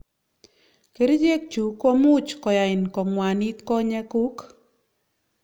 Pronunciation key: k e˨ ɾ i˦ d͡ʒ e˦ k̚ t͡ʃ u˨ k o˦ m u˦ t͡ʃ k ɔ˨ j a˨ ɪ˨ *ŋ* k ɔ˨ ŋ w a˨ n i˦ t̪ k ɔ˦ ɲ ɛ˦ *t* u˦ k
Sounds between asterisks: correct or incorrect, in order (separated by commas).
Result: incorrect, incorrect